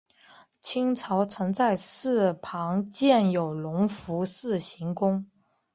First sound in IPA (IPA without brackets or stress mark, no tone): t͡ɕʰ